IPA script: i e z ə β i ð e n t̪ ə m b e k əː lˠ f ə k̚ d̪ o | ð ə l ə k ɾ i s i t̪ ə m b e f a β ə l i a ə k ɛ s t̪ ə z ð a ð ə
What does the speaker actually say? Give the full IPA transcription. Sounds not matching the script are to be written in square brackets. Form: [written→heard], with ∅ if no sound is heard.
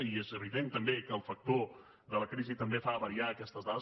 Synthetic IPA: i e z ə β i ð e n t̪ ə m b e k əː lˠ f ə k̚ [d̪→t̪] o | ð ə l ə k ɾ i [s→z] i t̪ ə m b e f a β ə [l→ɾ] i a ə k ɛ s t̪ ə z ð a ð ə